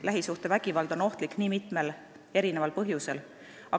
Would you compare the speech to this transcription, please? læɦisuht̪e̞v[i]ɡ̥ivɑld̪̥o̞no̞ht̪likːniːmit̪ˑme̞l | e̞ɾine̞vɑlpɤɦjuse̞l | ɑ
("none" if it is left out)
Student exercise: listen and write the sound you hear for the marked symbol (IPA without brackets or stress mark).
æ